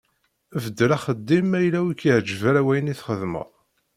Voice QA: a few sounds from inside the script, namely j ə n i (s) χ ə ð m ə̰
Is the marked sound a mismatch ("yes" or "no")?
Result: yes